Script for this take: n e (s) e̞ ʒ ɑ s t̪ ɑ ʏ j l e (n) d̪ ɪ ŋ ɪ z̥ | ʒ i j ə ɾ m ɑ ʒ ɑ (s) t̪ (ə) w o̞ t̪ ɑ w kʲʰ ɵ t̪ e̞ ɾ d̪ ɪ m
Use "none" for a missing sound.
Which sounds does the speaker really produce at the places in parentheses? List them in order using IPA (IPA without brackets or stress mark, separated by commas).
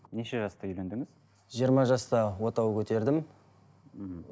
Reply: ʃ, n, s, ɑ